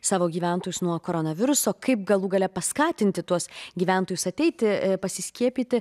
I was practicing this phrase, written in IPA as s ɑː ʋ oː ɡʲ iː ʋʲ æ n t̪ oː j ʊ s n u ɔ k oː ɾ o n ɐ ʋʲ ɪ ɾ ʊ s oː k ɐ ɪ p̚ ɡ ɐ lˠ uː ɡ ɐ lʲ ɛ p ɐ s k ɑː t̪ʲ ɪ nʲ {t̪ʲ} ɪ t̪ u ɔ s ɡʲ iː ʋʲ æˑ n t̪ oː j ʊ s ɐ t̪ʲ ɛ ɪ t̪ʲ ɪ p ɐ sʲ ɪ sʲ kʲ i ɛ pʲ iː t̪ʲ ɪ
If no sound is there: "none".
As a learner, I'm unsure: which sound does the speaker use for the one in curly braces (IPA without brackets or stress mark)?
t̪ʲ